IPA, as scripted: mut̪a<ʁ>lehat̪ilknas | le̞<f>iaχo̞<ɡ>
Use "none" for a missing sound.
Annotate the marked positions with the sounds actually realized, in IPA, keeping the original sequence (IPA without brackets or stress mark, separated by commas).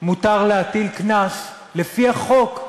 ʁ, f, k